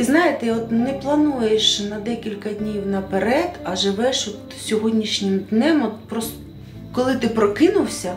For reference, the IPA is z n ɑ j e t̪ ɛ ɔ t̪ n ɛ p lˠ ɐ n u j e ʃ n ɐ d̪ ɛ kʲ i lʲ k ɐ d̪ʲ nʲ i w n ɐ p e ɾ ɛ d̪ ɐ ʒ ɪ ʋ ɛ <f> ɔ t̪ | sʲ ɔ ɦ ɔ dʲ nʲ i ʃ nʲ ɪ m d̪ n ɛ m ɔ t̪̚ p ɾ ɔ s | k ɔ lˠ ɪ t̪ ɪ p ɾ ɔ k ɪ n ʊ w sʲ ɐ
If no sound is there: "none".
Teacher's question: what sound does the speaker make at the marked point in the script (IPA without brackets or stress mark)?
ʃ